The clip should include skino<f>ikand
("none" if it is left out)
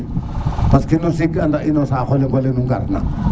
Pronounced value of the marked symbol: s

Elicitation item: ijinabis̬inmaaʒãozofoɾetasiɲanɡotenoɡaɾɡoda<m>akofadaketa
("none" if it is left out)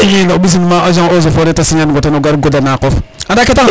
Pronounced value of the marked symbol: n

